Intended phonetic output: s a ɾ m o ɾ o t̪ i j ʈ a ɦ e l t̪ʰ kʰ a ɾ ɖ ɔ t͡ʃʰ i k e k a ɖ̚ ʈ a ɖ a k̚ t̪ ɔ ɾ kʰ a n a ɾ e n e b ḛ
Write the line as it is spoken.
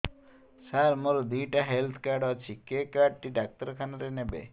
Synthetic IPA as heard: s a ɾ m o ɾ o d̪ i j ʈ a ɦ e l t̪ʰ k a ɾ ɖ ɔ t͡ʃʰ i k e k a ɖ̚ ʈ i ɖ a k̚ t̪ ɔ ɾ kʰ a n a ɾ e n e b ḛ

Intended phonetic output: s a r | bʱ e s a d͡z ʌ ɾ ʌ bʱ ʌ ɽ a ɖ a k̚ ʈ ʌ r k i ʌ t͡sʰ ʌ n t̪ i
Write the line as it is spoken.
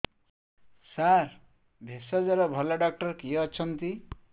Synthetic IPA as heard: s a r | bʱ e s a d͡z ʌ ɾ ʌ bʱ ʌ l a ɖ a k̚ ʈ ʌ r k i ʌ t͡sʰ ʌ n t̪ i

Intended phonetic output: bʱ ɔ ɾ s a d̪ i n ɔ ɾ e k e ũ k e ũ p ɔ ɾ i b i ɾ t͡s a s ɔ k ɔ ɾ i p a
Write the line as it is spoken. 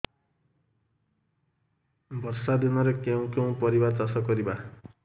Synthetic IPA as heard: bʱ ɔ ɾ s a d̪ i n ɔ ɾ e k e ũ k e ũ p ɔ ɾ i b a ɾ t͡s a s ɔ k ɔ ɾ i b a

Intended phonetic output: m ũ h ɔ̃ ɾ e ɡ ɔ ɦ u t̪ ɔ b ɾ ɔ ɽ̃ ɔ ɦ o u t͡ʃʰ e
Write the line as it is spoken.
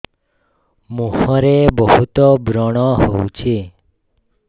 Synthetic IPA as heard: m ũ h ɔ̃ ɾ e b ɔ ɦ u t̪ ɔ b ɾ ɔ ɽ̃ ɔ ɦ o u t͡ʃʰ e

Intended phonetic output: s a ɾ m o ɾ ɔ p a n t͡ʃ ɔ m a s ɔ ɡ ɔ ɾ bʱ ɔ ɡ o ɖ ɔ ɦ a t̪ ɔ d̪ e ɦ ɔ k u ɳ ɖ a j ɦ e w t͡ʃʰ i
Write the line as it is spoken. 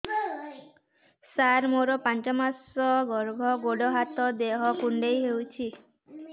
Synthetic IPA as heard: s a ɾ m o ɾ ɔ p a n t͡ʃ ɔ m a s ɔ ɡ ɔ ɾ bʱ ɔ ɡ o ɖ ɔ ɦ a t̪ ɔ d̪ e ɦ ɔ k u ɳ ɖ e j ɦ e w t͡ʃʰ i

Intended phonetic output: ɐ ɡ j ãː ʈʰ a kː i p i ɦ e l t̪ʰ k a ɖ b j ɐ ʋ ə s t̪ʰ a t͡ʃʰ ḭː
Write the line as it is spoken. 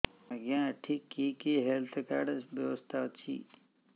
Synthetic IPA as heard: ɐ ɡ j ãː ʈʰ i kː i k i ɦ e l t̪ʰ k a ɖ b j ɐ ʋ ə s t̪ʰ a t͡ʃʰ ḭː

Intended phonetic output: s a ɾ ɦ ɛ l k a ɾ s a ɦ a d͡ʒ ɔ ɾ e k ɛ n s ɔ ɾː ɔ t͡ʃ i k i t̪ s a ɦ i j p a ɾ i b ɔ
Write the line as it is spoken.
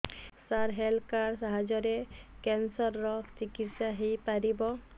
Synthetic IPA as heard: s a ɾ ɦ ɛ l k a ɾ s a ɦ a d͡ʒ ɔ ɾ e k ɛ n s ɔ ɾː ɔ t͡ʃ i k i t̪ s a ɦ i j p a ɾ i b ɔ

